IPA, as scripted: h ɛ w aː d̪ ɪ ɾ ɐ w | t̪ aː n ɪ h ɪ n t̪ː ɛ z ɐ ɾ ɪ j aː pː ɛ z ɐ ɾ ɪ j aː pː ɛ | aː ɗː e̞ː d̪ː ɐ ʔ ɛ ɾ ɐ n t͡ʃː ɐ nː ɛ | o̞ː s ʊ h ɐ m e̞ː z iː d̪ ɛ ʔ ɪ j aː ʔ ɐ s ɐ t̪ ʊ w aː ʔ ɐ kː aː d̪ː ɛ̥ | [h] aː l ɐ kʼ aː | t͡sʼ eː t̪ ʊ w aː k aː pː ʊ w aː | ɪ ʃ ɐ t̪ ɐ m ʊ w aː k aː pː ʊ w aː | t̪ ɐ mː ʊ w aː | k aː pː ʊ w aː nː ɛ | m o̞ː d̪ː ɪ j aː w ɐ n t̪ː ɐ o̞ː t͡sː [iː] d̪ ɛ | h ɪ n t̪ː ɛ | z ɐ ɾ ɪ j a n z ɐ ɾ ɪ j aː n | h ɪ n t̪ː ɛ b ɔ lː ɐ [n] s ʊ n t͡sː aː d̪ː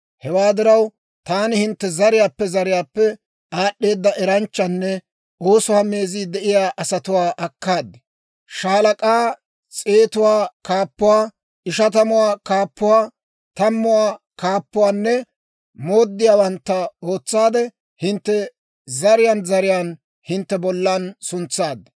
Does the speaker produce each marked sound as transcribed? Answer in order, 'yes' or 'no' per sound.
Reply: no, no, yes

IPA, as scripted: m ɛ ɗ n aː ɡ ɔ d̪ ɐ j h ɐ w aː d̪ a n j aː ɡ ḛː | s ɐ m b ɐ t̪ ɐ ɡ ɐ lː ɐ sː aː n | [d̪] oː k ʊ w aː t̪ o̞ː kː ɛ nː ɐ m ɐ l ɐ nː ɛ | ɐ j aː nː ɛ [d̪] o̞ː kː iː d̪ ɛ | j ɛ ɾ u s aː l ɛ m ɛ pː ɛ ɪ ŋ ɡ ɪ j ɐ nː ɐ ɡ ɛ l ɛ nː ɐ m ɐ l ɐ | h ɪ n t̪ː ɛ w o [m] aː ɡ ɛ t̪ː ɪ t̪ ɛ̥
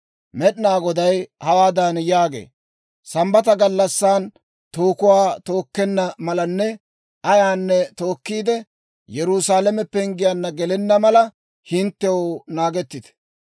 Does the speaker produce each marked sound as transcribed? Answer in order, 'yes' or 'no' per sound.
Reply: no, no, no

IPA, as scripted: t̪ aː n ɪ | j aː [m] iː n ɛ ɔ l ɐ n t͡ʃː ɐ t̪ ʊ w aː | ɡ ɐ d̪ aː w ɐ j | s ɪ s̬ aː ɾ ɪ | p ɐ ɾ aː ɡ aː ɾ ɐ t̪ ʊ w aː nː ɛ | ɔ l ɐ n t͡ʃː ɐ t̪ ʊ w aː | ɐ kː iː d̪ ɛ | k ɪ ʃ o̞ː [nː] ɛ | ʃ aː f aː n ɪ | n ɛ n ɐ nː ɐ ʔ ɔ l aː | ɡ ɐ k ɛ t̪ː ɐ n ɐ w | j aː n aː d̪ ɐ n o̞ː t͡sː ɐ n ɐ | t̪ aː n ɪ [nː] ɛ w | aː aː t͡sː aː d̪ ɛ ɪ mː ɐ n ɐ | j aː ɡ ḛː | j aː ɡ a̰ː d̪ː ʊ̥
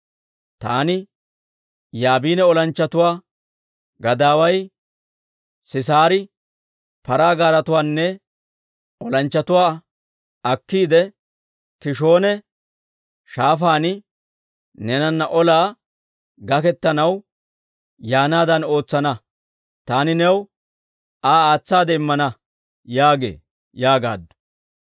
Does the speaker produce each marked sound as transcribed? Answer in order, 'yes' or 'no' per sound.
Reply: no, no, no

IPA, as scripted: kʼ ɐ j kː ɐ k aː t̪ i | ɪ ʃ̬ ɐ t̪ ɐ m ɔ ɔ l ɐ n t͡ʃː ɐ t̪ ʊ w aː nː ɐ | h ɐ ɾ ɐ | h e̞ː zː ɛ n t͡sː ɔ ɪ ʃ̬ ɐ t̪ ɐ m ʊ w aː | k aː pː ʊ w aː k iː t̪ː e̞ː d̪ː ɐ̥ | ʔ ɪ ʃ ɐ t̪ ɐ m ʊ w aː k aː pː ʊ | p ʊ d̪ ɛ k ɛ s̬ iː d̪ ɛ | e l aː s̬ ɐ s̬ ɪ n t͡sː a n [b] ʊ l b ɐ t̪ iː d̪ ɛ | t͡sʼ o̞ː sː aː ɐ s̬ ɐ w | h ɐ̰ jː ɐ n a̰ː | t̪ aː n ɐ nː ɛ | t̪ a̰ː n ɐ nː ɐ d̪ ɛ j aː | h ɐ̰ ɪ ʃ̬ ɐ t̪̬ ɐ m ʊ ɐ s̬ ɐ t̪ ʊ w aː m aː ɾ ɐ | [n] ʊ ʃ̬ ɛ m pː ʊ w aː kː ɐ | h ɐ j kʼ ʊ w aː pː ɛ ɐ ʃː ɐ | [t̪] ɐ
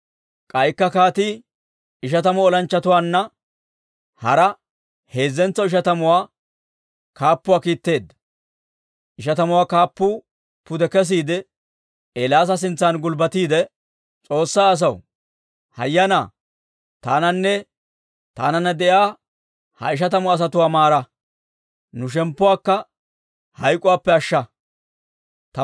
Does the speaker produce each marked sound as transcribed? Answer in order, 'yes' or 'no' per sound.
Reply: no, yes, yes

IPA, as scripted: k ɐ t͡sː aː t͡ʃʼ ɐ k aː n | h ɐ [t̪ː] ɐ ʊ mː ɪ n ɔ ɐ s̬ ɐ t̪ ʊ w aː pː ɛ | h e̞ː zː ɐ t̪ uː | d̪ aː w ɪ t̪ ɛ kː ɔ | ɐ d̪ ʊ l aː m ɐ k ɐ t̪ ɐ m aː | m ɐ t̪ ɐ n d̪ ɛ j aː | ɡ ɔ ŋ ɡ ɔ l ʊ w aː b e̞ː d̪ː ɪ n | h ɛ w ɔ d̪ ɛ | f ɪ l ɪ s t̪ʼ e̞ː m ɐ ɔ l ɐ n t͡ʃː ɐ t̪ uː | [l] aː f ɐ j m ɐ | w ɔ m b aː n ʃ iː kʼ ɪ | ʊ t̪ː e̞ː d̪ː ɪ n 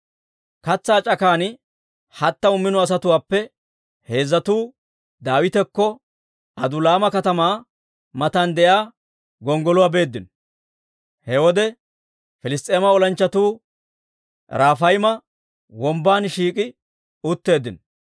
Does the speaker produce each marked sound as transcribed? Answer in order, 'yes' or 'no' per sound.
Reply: yes, no

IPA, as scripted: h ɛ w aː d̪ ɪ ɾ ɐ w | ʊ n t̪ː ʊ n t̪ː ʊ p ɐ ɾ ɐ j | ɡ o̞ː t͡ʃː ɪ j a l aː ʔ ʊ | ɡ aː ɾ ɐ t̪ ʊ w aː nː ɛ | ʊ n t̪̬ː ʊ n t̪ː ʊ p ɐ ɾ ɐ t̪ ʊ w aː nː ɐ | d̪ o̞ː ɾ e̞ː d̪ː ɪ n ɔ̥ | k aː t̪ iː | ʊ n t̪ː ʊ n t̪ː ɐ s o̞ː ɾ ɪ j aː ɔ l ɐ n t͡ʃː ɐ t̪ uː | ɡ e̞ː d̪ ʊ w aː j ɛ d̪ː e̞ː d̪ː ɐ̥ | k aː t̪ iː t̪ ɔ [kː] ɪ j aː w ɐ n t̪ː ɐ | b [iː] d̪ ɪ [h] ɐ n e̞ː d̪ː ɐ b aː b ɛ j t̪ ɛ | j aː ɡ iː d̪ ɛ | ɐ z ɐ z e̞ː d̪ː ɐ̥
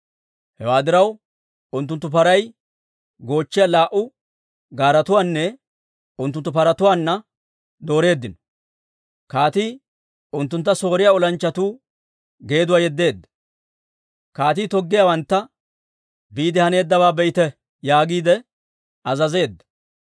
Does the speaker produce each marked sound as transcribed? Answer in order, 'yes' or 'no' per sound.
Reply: no, yes, yes

